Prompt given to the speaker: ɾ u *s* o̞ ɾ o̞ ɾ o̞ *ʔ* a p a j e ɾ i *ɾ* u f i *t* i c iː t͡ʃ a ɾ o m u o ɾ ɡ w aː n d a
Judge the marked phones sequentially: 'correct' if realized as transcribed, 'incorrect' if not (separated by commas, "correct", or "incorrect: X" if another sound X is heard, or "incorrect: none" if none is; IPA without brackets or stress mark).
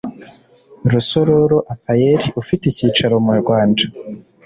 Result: correct, correct, incorrect: none, correct